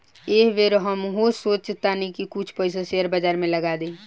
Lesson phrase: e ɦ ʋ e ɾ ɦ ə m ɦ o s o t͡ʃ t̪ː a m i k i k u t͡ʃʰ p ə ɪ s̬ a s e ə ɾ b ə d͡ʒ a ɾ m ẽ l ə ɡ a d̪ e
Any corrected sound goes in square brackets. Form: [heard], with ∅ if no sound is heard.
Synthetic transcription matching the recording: e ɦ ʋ e ɾ ɦ ə m ɦ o s o t͡ʃ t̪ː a [n] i k i k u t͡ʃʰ p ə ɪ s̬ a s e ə ɾ b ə d͡ʒ a ɾ m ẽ l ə ɡ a d̪ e